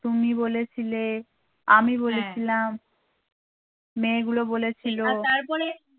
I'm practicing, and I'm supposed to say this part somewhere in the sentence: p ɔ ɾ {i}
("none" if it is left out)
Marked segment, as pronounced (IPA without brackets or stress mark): e